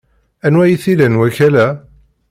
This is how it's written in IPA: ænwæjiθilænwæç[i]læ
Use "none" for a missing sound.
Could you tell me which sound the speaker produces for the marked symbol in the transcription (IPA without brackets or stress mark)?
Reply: æ